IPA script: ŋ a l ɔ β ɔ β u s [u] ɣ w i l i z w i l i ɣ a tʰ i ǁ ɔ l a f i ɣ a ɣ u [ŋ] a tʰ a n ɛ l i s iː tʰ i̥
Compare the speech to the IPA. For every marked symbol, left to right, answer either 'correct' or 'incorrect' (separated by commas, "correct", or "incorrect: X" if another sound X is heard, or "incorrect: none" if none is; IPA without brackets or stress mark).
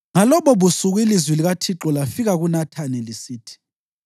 correct, incorrect: n